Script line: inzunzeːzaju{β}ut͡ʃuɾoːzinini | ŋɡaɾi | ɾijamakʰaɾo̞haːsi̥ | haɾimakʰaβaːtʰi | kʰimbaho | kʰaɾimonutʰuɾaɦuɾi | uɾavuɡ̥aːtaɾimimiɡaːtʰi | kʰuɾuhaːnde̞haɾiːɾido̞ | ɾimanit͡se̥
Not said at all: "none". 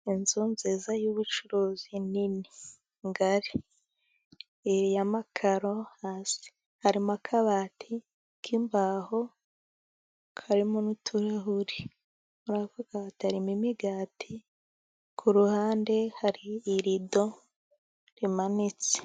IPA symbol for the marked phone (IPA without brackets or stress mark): β